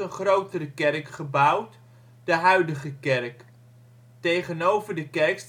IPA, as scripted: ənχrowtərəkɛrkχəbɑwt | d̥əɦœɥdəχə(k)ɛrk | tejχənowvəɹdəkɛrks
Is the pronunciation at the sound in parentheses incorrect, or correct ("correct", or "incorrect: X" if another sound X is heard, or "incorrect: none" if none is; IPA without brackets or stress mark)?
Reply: correct